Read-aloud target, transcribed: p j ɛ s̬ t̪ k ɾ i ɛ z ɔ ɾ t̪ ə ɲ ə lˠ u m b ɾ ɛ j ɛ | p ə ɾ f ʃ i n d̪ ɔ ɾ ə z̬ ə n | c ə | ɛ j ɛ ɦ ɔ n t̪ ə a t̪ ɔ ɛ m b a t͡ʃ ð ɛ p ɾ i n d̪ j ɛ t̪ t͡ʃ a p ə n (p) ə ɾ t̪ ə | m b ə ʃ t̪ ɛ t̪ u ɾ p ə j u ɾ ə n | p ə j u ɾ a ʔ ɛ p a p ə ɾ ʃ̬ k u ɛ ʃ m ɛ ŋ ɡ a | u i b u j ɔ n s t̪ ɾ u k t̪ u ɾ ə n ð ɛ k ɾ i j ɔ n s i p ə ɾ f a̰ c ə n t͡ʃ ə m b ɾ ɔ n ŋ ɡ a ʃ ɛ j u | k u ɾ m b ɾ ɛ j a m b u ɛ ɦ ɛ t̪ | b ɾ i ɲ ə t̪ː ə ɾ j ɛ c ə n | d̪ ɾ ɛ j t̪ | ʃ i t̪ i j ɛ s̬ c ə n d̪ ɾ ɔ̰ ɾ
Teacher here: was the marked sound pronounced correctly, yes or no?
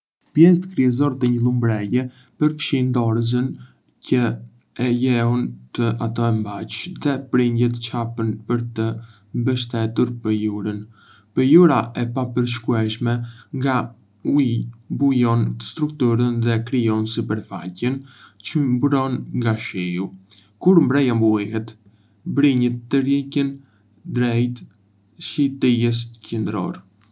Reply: yes